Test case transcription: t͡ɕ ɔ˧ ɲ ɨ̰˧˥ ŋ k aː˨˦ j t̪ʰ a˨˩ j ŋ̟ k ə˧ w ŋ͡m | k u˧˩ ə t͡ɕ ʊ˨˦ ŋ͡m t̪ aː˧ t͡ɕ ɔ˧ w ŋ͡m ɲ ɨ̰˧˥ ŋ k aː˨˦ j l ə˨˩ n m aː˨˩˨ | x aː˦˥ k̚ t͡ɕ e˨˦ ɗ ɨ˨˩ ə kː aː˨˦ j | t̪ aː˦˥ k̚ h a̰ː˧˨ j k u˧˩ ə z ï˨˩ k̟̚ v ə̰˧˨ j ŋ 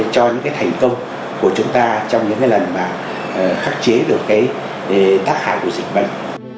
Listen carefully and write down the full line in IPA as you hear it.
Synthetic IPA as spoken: t͡ɕ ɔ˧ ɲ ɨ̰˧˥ ŋ k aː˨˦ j t̪ʰ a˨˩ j ŋ̟ k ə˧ w ŋ͡m | k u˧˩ ə t͡ɕ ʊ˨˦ ŋ͡m t̪ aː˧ t͡ɕ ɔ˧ w ŋ͡m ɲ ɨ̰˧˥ ŋ k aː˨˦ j l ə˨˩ n m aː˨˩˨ | x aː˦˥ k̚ t͡ɕ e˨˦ ɗ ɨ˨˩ ə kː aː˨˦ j | t̪ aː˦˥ k̚ h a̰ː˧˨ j k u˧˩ ə z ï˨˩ k̟̚ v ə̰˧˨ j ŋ

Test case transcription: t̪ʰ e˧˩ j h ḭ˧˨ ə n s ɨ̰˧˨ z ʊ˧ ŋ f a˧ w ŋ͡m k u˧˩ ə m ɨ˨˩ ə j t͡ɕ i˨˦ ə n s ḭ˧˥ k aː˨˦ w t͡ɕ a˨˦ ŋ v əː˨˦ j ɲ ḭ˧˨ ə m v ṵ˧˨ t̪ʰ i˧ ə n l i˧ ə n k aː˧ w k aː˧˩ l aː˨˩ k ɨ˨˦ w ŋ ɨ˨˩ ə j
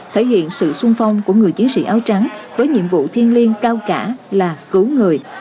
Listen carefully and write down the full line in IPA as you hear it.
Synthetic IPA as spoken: t̪ʰ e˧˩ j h ḭ˧˨ ə n s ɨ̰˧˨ s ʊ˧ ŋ f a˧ w ŋ͡m k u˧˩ ə ŋ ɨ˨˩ ə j t͡ɕ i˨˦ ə n s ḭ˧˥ ʔ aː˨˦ w t͡ɕ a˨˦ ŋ v əː˨˦ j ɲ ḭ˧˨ ə m v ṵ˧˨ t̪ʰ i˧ ə n l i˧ ə n k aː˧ w k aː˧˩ l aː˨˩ k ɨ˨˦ w ŋ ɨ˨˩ ə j

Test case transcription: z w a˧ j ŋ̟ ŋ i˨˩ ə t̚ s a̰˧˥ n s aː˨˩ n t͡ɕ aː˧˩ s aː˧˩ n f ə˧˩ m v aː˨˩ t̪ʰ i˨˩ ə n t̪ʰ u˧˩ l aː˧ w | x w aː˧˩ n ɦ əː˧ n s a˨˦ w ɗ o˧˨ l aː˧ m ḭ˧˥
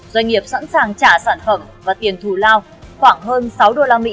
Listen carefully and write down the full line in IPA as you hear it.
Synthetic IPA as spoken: z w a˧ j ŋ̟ ŋ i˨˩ ə p̚ s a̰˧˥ n s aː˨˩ ŋ t͡ɕ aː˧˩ s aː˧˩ n f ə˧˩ m v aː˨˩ t̪ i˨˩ ə n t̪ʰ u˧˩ l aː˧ w | x w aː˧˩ ŋ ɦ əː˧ n s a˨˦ w ɗ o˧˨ l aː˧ m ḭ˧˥

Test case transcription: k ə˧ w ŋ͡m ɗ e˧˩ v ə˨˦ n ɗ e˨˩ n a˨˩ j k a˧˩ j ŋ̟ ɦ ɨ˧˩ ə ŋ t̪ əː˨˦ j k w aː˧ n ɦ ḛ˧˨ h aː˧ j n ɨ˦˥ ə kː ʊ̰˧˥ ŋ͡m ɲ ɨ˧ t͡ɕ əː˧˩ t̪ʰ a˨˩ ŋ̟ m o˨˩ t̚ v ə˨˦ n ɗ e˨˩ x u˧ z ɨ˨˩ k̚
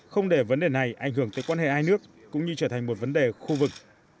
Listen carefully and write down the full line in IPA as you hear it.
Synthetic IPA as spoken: x ə˧ w ŋ͡m ɗ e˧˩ v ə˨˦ n ɗ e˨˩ n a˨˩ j ʔ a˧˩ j ŋ̟ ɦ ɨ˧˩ ə ŋ t̪ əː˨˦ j k w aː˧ n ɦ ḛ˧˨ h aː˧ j n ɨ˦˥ ə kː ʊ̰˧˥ ŋ͡m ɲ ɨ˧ t͡ɕ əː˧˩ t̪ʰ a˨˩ ŋ̟ m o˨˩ t̚ v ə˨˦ n ɗ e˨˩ x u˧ v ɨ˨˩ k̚

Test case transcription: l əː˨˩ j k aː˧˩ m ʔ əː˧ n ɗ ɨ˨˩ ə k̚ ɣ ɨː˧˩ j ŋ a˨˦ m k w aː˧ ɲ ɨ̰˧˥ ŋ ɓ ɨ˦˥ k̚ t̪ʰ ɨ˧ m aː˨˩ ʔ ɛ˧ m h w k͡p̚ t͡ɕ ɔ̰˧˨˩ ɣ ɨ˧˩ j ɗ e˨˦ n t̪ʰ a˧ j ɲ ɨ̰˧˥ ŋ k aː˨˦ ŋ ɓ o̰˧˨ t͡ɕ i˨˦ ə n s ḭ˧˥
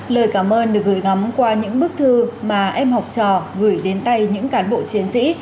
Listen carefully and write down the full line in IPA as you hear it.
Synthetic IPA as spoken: l əː˨˩ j k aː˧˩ m ʔ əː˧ n ɗ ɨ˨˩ ə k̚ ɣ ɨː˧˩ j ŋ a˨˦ m k w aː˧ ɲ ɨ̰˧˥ ŋ ɓ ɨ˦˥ k̚ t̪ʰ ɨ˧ m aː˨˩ ʔ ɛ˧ m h w k͡p̚ t͡ɕ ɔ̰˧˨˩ ɣ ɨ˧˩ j ɗ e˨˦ n t̪ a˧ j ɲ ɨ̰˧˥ ŋ k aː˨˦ n ɓ o̰˧˨ t͡ɕ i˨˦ ə n s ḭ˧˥

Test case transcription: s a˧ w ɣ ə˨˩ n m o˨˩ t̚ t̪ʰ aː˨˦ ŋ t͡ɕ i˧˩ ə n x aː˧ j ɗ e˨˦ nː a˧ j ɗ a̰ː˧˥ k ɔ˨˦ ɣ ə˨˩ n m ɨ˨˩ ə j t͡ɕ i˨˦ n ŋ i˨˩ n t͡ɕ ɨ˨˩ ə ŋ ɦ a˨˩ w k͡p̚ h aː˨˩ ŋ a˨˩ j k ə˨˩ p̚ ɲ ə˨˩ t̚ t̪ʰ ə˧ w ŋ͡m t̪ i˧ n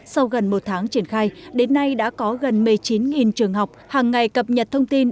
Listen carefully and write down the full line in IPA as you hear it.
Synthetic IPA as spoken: s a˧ w ɣ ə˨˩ n m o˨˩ t̚ t̪ʰ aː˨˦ ŋ t͡ɕ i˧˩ ə n x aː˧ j ɗ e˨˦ nː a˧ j ɗ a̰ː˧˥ k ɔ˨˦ ɣ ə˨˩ n m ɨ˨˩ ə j t͡ɕ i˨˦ n ŋ i˨˩ n t͡ɕ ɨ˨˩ ə ŋ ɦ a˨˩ w k͡p̚ h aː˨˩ ŋː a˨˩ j k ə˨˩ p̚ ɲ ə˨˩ t̚ t̪ʰ ə˧ w ŋ͡m t̪ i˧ n

